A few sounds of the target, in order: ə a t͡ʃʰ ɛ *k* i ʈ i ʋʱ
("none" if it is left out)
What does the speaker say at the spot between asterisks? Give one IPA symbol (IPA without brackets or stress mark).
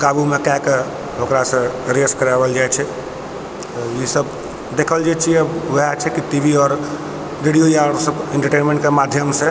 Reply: k